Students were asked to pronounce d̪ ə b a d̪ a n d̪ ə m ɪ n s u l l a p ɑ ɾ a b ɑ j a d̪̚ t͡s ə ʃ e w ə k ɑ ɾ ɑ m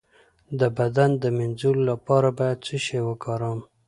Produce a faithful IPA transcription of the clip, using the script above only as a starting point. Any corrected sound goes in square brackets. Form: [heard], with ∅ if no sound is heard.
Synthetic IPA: d̪ ə b a d̪ a n d̪ ə m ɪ n [z] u l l a p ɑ ɾ a b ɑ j a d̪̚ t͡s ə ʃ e w ə k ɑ ɾ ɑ m